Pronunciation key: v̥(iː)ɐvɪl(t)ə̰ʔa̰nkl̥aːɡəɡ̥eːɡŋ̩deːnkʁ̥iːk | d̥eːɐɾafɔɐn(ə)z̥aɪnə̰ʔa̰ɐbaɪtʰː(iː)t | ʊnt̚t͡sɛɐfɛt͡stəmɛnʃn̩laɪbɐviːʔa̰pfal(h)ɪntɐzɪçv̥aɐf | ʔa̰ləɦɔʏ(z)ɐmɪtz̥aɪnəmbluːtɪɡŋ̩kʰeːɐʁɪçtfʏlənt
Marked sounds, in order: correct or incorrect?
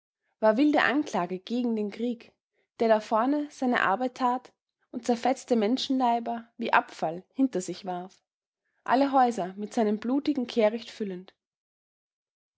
incorrect: aː, incorrect: d, correct, incorrect: aː, correct, correct

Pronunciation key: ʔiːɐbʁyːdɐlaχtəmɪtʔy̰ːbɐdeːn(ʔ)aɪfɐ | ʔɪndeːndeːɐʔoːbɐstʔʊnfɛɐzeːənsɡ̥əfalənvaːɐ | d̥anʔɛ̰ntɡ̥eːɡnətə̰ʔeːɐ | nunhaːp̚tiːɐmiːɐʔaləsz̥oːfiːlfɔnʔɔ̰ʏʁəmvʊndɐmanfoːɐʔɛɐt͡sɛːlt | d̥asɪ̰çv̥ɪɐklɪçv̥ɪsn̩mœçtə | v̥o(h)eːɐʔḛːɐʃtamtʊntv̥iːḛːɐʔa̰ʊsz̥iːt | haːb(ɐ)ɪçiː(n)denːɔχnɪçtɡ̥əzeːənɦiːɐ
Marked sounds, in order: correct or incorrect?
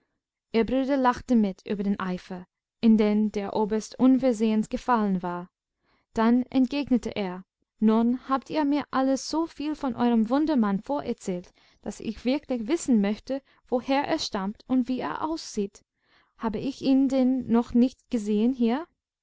correct, correct, incorrect: ə, correct

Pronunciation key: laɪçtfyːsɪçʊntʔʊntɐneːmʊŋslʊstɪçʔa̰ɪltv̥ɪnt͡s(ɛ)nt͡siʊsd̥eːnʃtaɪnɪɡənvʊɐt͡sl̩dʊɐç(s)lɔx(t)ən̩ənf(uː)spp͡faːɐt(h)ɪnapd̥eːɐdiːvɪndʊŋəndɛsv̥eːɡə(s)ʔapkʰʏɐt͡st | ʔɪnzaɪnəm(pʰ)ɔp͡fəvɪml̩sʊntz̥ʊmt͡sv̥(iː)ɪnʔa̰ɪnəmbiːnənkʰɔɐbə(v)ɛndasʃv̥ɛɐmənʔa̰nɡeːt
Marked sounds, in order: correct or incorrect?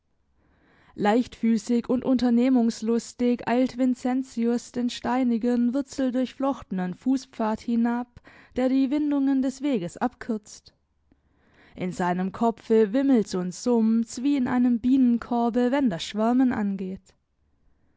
correct, incorrect: f, correct, correct, correct, correct, incorrect: kʰ, correct, correct

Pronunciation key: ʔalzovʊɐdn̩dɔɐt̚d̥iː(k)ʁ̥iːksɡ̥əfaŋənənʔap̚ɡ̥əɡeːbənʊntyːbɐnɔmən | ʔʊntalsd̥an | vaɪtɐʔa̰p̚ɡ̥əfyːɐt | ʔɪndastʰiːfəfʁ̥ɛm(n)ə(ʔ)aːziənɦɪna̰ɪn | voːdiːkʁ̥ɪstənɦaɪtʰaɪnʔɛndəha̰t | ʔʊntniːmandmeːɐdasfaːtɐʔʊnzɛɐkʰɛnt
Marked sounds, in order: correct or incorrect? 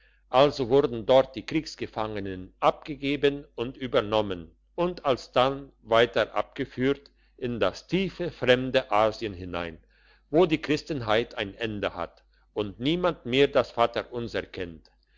correct, incorrect: d, correct

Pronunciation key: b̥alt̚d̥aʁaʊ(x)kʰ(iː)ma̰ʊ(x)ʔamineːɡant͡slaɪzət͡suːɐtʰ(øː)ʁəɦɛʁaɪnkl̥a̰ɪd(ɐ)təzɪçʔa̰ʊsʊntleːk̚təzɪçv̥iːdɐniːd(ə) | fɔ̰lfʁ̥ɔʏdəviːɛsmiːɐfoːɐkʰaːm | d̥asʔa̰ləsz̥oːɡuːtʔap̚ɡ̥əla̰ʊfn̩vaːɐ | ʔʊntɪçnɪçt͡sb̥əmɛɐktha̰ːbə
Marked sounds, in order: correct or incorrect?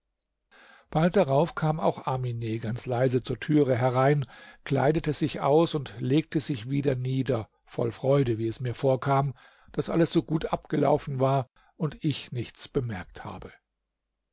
incorrect: f, incorrect: aː, correct, incorrect: yː, incorrect: ə, incorrect: ɐ

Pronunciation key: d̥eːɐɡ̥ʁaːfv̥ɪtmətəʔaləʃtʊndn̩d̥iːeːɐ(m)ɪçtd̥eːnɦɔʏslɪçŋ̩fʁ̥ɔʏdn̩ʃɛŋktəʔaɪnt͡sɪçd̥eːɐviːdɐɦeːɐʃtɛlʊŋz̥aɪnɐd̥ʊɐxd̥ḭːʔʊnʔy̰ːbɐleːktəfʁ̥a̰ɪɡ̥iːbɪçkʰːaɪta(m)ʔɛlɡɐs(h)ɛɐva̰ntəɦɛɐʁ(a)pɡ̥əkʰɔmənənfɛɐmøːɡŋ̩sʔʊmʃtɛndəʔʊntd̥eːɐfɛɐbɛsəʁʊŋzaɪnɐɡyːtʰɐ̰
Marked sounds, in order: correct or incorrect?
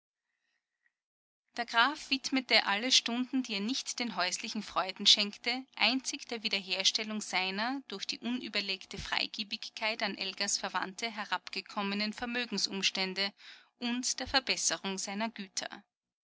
incorrect: n, incorrect: n, incorrect: f, correct

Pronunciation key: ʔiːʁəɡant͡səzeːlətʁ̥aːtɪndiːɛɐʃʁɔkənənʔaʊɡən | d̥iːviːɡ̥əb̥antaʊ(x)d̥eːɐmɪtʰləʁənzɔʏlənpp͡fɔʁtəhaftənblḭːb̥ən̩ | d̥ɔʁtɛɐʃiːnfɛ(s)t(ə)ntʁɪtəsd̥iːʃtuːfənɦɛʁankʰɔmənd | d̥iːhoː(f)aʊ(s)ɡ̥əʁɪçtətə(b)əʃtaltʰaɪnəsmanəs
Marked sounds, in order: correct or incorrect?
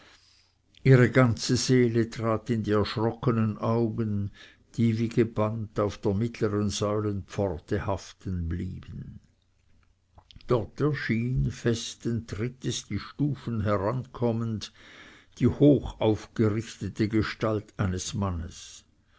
incorrect: f, correct, correct, incorrect: x, incorrect: f, incorrect: ɡ

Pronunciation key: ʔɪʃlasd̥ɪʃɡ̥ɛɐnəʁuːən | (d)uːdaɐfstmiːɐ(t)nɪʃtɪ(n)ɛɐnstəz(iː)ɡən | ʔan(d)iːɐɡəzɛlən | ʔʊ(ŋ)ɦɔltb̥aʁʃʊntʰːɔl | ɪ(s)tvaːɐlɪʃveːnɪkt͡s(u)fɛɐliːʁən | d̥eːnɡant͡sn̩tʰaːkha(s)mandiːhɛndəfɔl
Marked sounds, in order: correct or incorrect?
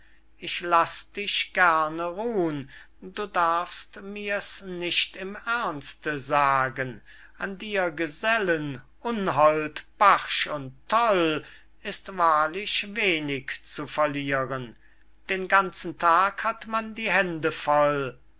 correct, incorrect: s, incorrect: m, incorrect: aː, correct, incorrect: n, correct, correct, incorrect: t

